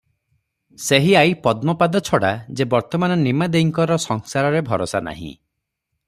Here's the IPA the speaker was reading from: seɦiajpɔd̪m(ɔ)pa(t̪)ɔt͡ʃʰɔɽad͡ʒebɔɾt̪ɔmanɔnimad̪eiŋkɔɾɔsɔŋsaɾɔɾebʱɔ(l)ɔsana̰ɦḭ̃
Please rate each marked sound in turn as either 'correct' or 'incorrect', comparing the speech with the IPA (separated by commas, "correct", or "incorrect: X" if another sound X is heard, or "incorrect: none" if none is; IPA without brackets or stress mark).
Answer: correct, incorrect: d̪, incorrect: ɾ